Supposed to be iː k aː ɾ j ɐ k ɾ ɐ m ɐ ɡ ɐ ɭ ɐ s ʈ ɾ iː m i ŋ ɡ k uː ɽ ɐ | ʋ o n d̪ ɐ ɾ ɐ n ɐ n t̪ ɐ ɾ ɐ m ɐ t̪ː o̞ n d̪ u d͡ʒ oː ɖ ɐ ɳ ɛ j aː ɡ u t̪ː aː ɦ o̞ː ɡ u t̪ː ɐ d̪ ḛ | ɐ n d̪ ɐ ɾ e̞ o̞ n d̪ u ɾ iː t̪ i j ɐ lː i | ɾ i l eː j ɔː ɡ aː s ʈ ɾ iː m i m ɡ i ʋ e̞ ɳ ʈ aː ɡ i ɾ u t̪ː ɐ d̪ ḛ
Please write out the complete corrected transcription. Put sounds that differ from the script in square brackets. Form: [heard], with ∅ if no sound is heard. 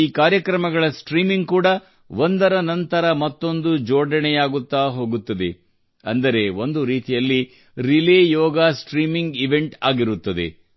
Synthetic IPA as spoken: iː k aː ɾ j ɐ k ɾ ɐ m ɐ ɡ ɐ ɭ ɐ s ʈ ɾ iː m i ŋ ɡ k uː ɽ ɐ | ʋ o n d̪ ɐ ɾ ɐ n ɐ n t̪ ɐ ɾ ɐ m ɐ t̪ː o̞ n d̪ u d͡ʒ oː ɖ ɐ ɳ ɛ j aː ɡ u t̪ː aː ɦ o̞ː ɡ u t̪ː ɐ d̪ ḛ | ɐ n d̪ ɐ ɾ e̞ o̞ n d̪ u ɾ iː t̪ i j ɐ lː i | ɾ i l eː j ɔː ɡ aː s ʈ ɾ iː m i [ŋ] ɡ i ʋ e̞ ɳ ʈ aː ɡ i ɾ u t̪ː ɐ d̪ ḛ